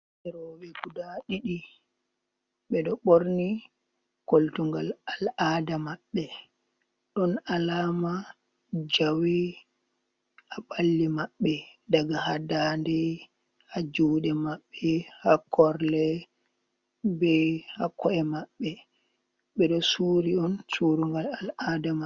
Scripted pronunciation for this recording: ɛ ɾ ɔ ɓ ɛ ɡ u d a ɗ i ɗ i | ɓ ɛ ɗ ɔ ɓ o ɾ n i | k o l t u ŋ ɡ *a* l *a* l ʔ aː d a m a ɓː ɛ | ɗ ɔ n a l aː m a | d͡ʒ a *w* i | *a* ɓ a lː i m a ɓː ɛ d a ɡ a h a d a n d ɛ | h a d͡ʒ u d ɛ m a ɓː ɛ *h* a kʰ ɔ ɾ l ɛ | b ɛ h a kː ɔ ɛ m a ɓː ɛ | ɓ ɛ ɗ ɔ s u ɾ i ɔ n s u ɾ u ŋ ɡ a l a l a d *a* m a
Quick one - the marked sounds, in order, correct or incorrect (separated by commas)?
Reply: correct, correct, correct, correct, correct, correct